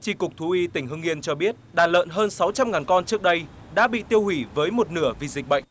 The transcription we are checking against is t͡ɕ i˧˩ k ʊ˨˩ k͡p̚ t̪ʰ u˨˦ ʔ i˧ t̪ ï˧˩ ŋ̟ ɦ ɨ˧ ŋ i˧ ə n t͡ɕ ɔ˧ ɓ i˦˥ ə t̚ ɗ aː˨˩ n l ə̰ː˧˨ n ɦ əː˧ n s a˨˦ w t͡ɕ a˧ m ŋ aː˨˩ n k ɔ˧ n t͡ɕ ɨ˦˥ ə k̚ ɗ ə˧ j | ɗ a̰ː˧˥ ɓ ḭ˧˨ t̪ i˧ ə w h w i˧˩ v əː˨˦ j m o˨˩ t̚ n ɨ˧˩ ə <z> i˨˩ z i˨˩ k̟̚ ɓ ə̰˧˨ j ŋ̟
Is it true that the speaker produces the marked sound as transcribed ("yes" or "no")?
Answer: no